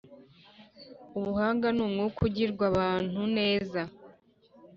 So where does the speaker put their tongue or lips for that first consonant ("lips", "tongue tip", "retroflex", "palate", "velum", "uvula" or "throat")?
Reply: lips